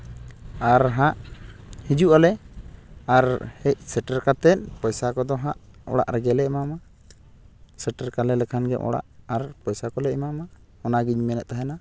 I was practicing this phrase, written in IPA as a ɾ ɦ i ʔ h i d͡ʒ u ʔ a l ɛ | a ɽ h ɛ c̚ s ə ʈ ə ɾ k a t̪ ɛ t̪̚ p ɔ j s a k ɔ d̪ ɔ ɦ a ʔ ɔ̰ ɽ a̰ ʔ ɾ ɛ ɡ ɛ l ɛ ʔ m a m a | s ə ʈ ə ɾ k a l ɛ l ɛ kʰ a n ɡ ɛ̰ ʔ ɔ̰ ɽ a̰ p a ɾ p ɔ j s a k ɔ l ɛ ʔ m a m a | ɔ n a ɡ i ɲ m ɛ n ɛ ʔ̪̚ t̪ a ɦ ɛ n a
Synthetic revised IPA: a ɾ ɦ a ʔ h i d͡ʒ u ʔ a l ɛ | a ɾ h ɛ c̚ s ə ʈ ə ɾ k a t̪ ɛ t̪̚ p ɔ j s a k ɔ d̪ ɔ ɦ a ʔ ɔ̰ ɽ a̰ ʔ ɾ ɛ ɡ ɛ l ɛ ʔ m a m a | s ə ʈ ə ɾ k a l ɛ l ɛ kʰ a n ɡ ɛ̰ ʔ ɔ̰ ɽ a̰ ʔ a ɾ p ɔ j s a k ɔ l ɛ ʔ m a m a | ɔ n a ɡ i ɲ m ɛ n ɛ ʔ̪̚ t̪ a ɦ ɛ n a